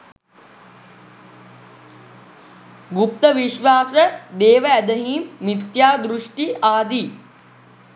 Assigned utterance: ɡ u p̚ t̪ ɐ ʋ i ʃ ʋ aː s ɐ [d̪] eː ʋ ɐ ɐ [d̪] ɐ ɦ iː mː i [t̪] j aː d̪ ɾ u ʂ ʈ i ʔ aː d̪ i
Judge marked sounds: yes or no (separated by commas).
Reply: yes, yes, yes